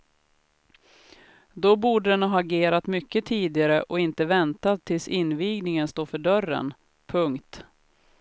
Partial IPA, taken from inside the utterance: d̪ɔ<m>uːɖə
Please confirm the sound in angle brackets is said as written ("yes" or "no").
no